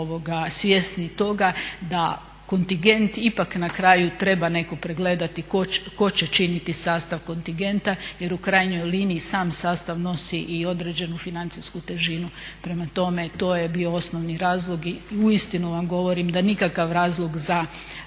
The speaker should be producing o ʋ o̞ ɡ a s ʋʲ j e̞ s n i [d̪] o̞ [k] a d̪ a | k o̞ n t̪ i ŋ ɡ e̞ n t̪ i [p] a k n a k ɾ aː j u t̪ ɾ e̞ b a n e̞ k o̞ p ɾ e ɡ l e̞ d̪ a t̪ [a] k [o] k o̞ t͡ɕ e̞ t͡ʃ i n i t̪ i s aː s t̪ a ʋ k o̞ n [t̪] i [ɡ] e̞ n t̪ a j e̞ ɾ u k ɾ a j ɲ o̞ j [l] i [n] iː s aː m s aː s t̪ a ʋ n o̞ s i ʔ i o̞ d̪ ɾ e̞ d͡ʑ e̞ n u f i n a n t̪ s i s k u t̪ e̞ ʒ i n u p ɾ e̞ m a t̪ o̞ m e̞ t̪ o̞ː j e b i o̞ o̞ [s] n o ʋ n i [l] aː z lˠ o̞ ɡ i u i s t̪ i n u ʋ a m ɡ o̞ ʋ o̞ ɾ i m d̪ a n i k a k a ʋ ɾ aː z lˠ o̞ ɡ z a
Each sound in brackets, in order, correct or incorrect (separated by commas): incorrect, incorrect, correct, incorrect, correct, correct, correct, correct, correct, correct, incorrect